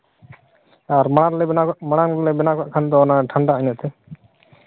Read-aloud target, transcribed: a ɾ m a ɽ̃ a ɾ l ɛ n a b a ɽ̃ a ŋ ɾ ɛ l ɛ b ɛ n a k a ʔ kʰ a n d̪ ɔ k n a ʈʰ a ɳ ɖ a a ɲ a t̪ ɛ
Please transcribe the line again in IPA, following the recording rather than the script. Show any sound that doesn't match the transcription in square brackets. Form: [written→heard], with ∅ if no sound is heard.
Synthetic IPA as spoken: a ɾ m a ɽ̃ a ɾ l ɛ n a [b→m] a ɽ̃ a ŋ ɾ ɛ l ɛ b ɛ n a k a ʔ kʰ a n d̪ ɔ [k→∅] n a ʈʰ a ɳ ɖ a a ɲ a t̪ ɛ